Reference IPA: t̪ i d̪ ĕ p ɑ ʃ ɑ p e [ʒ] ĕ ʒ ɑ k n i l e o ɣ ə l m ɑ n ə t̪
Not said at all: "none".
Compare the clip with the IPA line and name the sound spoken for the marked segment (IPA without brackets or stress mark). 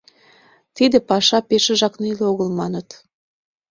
ʃ